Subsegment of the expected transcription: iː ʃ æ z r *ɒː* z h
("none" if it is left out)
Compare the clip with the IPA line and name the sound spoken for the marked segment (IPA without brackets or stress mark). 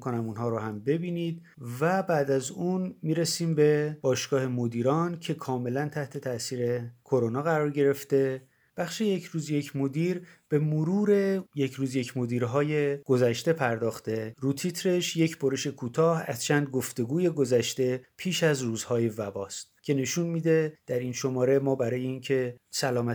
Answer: uː